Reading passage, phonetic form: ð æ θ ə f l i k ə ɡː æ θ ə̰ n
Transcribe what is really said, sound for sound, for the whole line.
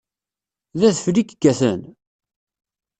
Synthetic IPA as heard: ð æ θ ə f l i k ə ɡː æ θ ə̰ n